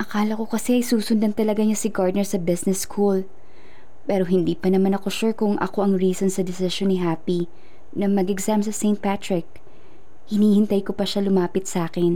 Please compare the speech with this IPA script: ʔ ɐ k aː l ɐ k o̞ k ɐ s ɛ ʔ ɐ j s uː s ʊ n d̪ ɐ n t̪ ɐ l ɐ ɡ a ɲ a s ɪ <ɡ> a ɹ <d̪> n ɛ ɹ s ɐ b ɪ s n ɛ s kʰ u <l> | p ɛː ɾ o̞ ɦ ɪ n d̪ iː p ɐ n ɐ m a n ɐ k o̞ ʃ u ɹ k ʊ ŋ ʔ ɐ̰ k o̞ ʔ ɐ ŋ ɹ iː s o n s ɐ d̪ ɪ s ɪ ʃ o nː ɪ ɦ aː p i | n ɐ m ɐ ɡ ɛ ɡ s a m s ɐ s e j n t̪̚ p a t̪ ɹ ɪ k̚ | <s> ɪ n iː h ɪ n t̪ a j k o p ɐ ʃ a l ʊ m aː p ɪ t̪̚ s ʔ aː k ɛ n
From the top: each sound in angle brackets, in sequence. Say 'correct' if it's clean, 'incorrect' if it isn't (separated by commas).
correct, correct, correct, incorrect